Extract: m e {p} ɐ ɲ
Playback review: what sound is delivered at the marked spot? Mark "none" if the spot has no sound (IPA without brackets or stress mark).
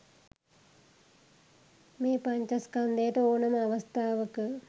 p